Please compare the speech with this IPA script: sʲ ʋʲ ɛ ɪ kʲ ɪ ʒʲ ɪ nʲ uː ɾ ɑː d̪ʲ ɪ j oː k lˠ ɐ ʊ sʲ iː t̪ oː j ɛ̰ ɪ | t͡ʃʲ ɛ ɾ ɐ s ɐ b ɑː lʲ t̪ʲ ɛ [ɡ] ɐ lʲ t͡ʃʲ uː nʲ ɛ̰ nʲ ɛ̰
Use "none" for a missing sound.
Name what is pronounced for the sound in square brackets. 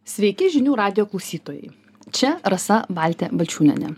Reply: b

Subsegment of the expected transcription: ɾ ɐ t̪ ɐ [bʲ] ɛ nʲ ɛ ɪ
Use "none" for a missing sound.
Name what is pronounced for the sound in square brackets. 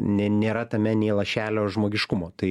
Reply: mʲ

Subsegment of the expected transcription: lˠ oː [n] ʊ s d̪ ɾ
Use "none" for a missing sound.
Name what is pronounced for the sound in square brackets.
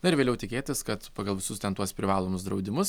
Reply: m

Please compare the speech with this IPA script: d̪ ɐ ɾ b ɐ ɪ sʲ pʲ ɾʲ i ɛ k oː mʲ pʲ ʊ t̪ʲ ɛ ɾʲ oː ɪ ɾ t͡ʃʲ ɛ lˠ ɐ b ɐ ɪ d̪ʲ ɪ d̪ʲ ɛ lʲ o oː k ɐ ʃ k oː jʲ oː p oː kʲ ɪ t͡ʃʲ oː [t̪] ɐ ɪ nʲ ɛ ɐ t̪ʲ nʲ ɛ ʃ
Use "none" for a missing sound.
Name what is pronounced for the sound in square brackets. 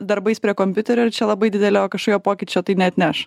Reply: t̪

